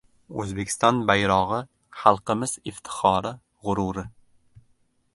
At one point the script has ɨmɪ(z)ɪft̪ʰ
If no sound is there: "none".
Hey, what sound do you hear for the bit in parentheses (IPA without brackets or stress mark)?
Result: z